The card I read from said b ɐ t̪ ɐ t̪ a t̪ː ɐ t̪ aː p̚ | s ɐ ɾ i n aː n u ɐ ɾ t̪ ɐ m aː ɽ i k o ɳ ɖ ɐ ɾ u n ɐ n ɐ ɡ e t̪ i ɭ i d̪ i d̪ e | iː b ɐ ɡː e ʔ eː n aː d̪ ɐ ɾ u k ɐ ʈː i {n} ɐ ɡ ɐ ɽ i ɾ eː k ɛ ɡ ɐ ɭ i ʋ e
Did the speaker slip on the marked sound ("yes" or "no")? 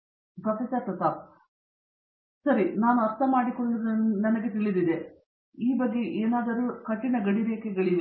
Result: no